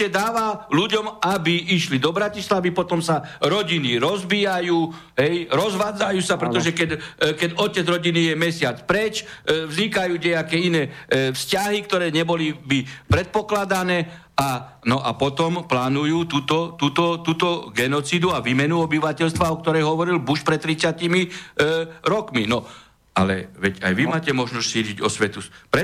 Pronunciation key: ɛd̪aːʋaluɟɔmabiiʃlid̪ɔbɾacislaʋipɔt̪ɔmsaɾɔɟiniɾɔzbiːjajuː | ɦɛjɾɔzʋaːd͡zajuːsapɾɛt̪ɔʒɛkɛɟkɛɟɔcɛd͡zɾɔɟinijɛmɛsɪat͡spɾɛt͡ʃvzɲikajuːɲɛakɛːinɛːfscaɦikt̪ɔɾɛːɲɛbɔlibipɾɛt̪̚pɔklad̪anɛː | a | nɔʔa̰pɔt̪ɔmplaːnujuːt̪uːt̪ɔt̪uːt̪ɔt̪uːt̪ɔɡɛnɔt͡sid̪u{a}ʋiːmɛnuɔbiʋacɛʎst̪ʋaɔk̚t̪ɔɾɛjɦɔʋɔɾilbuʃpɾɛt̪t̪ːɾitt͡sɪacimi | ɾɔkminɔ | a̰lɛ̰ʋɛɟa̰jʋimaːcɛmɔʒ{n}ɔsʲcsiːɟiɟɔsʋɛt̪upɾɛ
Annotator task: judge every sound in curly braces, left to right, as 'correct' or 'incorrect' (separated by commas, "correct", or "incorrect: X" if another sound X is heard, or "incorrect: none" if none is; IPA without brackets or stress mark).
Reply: correct, correct